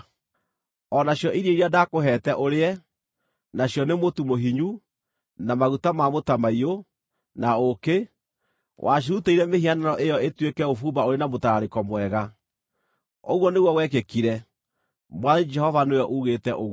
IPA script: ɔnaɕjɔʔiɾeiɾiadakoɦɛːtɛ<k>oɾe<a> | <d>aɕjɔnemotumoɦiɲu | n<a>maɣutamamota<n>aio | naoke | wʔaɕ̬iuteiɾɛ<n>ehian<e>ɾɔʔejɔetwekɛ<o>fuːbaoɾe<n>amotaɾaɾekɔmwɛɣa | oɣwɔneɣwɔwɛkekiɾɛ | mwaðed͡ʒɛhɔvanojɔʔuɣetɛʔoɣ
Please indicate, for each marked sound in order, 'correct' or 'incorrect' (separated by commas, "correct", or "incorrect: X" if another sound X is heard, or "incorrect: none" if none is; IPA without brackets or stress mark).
incorrect: ʔ, incorrect: ɛ, incorrect: n, correct, incorrect: m, incorrect: m, incorrect: a, correct, correct